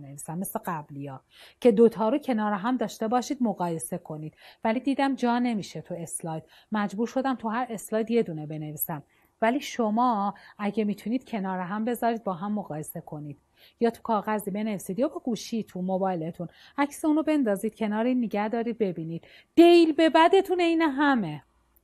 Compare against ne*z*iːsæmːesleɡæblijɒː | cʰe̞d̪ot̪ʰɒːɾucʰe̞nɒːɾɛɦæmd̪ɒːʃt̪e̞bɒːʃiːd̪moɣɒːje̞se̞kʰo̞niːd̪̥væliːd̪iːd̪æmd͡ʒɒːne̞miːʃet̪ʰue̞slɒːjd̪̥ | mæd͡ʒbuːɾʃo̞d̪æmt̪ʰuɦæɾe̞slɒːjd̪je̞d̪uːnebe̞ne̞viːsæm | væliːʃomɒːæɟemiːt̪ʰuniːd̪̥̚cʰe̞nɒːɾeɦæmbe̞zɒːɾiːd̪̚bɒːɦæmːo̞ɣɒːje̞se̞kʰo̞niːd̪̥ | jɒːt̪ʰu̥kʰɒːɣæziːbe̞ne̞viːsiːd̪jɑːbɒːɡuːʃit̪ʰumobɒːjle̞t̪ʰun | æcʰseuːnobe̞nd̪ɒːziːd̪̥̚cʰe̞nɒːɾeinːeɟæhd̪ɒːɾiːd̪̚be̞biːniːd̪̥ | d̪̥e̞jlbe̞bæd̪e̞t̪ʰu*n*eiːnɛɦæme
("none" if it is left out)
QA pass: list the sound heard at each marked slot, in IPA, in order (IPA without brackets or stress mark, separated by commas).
v, n